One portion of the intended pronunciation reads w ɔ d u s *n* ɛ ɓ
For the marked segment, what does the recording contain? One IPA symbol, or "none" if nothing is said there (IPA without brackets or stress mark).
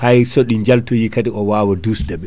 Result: d